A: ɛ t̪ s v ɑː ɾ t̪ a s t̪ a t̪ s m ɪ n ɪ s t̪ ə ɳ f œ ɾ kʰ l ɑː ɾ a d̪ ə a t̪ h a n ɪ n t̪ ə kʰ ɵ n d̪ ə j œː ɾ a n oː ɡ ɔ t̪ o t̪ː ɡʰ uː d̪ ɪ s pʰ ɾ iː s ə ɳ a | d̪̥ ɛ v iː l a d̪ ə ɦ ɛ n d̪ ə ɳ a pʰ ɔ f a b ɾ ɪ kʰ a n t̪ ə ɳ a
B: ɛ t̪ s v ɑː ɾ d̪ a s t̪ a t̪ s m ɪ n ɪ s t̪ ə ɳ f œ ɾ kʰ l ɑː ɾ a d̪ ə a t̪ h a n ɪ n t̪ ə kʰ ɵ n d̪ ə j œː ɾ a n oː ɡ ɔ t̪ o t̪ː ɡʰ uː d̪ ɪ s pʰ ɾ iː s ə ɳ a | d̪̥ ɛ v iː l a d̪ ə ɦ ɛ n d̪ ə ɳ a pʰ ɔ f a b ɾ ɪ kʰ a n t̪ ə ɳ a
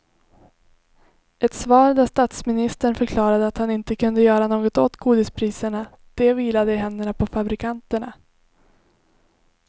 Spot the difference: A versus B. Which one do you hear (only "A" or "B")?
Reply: B